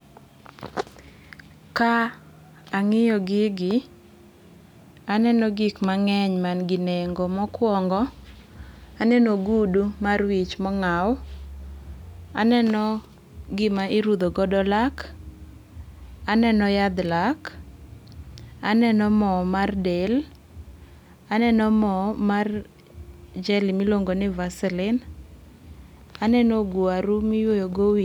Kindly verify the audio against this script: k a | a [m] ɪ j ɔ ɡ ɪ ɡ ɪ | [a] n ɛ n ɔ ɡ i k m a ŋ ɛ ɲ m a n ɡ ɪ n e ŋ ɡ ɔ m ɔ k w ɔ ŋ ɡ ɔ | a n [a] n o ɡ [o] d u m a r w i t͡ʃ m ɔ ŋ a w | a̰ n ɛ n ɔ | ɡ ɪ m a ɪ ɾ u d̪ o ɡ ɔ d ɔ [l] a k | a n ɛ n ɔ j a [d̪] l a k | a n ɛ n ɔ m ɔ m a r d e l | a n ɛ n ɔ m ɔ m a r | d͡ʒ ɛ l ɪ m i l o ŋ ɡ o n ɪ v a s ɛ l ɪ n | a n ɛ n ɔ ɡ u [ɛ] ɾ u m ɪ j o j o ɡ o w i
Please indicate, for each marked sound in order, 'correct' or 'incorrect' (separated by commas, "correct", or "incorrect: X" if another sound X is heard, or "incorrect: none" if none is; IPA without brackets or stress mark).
incorrect: ŋ, correct, incorrect: ɛ, incorrect: u, correct, correct, incorrect: a